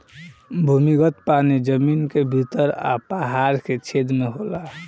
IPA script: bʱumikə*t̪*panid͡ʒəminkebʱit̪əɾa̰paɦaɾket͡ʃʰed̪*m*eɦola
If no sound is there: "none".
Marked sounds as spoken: t̪, m

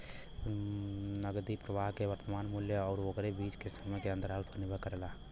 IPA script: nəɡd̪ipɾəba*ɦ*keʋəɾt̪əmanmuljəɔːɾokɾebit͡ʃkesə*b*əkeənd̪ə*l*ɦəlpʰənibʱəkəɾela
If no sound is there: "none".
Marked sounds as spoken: ɦ, m, ɾ

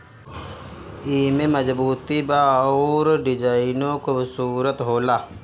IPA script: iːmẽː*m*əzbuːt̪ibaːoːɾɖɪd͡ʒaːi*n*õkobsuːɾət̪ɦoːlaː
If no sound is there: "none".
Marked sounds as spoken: m, n

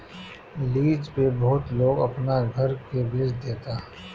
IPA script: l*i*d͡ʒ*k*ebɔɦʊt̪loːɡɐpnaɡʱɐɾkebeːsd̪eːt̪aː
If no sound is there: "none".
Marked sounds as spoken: iː, p

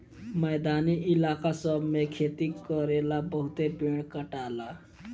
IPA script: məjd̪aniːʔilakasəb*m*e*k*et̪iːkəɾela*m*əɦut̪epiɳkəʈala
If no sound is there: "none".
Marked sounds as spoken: m, kʰ, b

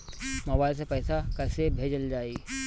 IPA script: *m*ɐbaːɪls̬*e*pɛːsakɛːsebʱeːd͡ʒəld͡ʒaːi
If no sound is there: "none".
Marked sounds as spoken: m, e

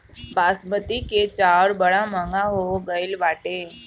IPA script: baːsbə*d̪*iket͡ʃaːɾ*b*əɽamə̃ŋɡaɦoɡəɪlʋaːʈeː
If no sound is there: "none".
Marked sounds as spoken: t̪, b

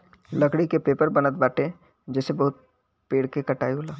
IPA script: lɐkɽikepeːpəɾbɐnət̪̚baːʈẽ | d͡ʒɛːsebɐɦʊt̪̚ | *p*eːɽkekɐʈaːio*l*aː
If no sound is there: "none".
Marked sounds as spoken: p, l

